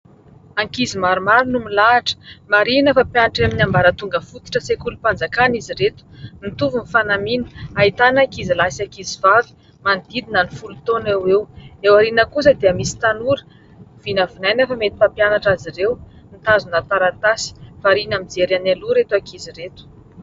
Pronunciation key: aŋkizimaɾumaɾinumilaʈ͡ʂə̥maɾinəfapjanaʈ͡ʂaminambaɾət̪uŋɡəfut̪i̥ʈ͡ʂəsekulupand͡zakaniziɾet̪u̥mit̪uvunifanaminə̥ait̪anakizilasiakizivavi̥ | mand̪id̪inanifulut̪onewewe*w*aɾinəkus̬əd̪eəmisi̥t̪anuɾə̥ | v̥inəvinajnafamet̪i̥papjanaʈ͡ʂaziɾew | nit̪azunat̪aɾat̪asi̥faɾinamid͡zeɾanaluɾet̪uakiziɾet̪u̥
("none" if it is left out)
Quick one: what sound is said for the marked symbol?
w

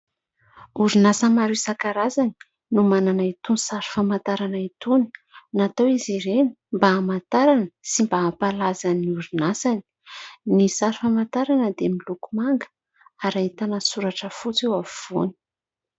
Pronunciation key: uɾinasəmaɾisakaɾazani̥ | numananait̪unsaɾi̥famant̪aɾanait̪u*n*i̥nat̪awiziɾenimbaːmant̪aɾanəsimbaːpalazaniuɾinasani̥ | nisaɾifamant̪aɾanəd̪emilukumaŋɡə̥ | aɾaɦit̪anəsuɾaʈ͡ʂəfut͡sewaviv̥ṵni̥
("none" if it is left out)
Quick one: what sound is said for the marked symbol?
n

